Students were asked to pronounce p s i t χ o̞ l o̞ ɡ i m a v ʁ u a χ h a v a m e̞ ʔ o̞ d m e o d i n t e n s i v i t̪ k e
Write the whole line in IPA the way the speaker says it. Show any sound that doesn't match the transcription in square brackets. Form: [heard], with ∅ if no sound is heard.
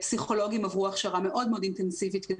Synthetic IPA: p s i [∅] χ o̞ l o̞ ɡ i m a v ʁ u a χ [ʃ] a [ʁ] a m e̞ ʔ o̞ d m e o d i n t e n s i v i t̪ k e